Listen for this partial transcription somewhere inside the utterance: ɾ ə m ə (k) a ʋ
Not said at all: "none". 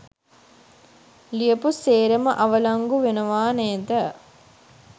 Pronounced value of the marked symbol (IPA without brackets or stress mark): ʔ